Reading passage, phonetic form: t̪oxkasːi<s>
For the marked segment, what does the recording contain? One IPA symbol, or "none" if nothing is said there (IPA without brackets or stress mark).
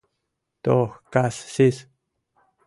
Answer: s